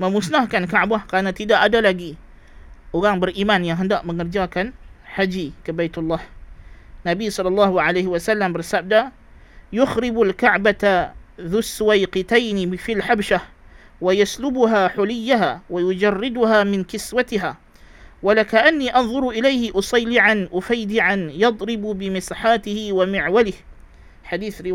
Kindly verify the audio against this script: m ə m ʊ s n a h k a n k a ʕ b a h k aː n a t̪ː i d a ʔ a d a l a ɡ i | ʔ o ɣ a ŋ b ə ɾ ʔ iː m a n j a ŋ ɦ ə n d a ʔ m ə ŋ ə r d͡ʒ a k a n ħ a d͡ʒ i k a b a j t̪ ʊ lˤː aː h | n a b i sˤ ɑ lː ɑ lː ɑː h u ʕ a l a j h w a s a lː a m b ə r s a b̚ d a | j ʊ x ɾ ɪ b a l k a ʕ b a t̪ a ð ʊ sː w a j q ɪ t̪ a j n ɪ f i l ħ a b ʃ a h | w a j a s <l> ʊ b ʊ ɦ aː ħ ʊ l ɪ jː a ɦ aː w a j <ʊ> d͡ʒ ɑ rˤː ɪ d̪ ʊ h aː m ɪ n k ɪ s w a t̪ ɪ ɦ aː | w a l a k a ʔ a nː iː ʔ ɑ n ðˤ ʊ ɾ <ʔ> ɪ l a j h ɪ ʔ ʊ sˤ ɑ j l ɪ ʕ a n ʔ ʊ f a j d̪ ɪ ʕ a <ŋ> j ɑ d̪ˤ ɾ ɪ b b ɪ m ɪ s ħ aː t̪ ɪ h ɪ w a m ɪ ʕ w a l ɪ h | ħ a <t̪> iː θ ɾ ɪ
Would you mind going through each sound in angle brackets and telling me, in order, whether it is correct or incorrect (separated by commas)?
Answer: correct, correct, correct, incorrect, incorrect